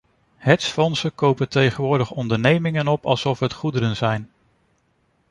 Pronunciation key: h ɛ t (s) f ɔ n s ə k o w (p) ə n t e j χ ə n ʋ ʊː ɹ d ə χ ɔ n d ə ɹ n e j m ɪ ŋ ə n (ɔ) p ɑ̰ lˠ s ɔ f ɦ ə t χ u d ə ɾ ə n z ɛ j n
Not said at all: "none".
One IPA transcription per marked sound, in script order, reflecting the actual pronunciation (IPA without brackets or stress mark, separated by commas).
s, p, ɔ